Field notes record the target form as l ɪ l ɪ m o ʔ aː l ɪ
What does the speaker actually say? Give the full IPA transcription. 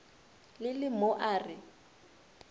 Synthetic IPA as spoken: l ɪ l ɪ m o ʔ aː r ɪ

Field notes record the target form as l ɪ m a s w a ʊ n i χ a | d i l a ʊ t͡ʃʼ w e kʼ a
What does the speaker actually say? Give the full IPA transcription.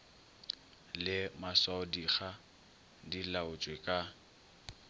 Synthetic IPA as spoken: l ɪ m a s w a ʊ d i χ a | d i l a ʊ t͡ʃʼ w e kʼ a

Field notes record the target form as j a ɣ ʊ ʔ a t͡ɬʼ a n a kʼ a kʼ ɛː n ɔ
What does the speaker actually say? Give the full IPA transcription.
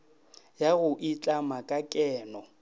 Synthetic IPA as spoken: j a ɣ ʊ ʔ i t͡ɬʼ a m a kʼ a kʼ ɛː n ɔ

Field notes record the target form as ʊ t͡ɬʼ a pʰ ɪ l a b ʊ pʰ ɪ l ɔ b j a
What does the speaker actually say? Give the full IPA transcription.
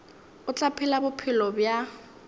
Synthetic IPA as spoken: ʊ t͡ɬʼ a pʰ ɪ l a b ʊ pʰ ɪ l ɔ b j a

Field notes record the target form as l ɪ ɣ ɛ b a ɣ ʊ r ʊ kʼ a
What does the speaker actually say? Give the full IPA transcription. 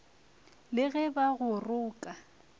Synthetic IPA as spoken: l ɪ ɣ ɛ b a ɣ ʊ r ʊː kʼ a

